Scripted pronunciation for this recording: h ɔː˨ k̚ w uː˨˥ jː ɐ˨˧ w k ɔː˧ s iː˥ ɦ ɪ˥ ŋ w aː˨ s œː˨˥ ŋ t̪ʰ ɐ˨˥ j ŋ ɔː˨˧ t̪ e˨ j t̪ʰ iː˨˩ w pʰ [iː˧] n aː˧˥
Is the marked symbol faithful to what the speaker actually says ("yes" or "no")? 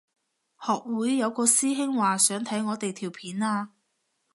no